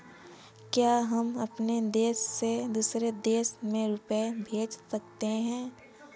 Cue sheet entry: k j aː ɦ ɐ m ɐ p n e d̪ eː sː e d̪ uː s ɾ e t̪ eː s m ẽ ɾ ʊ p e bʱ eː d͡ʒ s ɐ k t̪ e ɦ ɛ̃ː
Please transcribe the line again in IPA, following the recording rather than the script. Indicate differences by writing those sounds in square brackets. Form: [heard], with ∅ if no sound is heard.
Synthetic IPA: k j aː ɦ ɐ m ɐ p n e d̪ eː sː e d̪ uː s ɾ e [d̪] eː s m ẽ ɾ ʊ p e bʱ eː d͡ʒ s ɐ k t̪ e ɦ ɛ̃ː